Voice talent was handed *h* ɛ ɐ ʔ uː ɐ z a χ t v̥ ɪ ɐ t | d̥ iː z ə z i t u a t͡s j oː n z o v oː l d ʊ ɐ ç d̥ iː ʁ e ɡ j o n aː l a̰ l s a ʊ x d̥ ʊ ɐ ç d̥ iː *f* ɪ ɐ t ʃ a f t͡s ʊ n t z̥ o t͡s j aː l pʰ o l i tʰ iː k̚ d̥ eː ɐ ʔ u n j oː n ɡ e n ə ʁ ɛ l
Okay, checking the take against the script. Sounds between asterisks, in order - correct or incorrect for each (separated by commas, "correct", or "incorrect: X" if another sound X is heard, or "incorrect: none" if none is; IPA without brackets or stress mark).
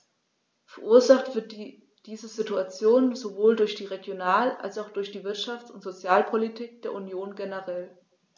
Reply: incorrect: f, incorrect: v